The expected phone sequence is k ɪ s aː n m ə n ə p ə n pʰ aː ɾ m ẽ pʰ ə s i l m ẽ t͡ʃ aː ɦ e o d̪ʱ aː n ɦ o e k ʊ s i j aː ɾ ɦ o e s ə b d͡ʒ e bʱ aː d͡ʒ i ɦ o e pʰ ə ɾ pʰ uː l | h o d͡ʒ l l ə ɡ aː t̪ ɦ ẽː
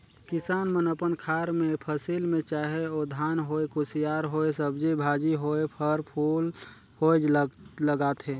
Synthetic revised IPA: k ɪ s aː n m ə n ə p ə n kʰ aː ɾ m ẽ pʰ ə s i l m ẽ t͡ʃ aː ɦ e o d̪ʱ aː n ɦ o e k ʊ s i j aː ɾ ɦ o e s ə b d͡ʒ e bʱ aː d͡ʒ i ɦ o e pʰ ə ɾ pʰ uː l | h o d͡ʒ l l ə ɡ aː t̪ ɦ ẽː